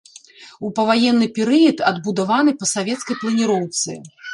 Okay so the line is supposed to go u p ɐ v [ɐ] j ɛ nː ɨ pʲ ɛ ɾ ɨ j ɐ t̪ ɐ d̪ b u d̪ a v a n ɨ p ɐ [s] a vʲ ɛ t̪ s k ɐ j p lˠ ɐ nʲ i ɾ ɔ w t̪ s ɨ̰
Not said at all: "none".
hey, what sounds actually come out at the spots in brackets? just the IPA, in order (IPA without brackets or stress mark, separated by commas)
a, s